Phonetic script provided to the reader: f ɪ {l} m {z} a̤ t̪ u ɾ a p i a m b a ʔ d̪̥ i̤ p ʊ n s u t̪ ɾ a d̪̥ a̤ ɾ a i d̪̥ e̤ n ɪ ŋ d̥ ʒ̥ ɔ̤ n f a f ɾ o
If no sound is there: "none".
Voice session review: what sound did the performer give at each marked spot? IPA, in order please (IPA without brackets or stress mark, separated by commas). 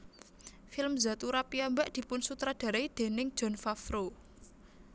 l, z